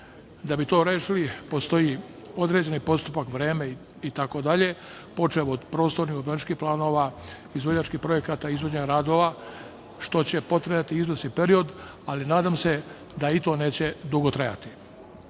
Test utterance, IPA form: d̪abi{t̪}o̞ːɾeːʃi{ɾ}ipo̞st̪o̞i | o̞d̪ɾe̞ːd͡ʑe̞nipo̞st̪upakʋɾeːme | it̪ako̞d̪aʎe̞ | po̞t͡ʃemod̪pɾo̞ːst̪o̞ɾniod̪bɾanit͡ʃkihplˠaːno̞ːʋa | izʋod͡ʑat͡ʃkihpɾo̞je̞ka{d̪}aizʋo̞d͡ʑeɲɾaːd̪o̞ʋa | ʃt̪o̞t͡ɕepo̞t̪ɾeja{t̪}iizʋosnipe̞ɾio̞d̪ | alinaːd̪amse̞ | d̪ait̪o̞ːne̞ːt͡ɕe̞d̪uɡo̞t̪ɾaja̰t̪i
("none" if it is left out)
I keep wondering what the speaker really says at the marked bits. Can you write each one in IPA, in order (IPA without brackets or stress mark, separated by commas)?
t̪, l, t̪, t̪